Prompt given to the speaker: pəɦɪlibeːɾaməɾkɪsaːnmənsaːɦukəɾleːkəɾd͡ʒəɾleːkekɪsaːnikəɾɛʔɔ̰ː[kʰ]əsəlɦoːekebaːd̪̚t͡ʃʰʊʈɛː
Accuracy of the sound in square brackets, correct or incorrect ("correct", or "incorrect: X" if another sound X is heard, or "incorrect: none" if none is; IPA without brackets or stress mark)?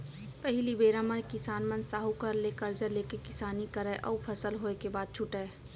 incorrect: pʰ